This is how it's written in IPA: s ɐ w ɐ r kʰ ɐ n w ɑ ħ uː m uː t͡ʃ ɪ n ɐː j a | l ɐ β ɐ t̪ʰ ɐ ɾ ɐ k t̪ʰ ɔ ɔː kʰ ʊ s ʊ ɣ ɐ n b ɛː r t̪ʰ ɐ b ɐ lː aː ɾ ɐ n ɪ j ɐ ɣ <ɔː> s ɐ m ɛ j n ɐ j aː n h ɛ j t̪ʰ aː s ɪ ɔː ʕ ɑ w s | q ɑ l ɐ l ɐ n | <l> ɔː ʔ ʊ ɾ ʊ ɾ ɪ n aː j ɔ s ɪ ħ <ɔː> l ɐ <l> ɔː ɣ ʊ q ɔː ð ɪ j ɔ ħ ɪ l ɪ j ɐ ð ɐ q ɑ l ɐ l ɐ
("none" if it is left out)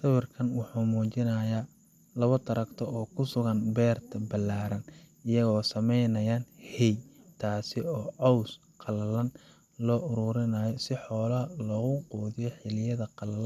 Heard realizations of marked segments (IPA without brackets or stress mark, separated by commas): ɔː, l, ɔː, l